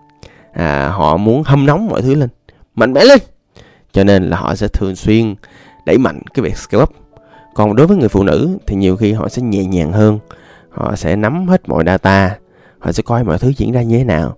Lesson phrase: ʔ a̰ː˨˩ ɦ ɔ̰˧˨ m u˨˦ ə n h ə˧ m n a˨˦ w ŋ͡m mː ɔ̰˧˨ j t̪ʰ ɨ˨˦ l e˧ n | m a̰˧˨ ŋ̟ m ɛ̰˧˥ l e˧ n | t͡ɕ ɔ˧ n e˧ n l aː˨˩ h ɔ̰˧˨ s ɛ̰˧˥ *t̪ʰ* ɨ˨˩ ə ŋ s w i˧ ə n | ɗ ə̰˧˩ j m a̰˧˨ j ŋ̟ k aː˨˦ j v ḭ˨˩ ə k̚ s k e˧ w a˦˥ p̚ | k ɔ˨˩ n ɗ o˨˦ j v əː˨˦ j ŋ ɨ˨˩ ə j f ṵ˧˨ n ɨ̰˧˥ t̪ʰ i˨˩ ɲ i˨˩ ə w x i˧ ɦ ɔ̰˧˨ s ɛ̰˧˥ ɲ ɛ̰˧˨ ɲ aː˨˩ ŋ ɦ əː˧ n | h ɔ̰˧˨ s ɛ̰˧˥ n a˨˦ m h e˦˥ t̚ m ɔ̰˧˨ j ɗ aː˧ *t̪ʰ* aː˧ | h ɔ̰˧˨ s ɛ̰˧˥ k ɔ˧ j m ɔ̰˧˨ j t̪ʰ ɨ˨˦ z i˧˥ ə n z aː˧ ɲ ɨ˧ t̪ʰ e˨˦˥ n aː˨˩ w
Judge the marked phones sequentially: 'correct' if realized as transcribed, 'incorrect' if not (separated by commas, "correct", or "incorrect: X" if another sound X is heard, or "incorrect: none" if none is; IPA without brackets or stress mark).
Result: correct, incorrect: t̪